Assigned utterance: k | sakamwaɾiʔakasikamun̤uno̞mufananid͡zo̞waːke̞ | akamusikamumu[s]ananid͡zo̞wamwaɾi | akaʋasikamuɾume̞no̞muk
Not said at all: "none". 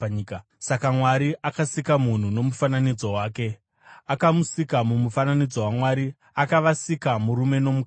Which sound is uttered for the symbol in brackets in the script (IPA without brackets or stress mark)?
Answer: f